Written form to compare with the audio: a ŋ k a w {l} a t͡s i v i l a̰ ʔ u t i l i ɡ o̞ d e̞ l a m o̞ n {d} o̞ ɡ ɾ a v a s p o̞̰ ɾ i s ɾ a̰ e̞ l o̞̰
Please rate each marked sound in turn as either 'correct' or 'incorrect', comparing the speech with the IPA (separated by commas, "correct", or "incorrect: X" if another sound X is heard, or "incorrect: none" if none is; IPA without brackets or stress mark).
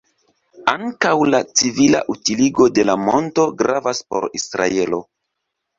correct, incorrect: t